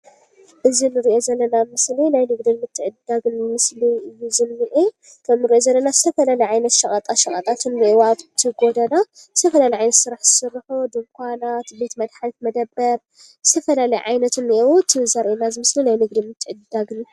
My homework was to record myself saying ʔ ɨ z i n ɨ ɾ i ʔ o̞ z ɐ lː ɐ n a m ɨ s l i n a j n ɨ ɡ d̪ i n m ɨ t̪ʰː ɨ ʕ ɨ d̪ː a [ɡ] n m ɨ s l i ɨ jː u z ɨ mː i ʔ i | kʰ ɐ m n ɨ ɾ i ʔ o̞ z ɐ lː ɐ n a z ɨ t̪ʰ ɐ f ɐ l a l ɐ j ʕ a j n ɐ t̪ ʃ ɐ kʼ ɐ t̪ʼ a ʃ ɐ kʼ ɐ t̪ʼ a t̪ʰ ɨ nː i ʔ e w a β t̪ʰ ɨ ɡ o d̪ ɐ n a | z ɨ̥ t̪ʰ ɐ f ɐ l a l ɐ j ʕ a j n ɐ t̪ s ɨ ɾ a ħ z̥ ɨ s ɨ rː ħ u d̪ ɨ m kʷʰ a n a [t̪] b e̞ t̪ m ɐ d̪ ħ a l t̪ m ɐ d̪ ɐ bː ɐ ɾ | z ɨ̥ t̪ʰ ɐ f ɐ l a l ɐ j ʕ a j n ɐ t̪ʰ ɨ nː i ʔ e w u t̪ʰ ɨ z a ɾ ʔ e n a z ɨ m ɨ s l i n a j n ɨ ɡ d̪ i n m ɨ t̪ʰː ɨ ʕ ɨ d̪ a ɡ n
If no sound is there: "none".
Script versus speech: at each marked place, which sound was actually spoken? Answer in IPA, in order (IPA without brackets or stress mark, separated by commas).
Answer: ɡ, t̪